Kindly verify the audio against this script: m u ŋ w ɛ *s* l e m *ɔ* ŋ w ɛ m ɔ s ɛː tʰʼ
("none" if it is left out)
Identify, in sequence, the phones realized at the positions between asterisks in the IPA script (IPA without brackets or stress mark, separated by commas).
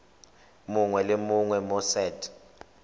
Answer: none, u